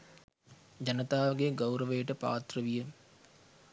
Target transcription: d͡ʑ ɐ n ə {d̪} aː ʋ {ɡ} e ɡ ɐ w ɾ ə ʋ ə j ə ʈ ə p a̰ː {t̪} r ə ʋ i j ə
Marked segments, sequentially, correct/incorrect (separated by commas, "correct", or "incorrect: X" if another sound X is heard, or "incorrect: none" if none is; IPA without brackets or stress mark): incorrect: t̪, correct, correct